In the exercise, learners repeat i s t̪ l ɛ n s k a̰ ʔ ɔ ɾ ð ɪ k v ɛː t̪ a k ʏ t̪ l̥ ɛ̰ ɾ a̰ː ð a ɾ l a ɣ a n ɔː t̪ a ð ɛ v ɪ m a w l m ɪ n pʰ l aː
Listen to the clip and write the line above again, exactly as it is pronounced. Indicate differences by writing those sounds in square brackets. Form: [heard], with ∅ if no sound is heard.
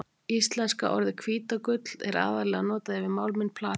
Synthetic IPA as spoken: i s t̪ l ɛ n s k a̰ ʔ ɔ ɾ ð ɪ [kʰ] v [iː] t̪ a k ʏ t̪ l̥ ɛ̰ ɾ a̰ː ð a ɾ l [ɛ] ɣ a n ɔː t̪ a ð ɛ v ɪ m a w l m ɪ n pʰ l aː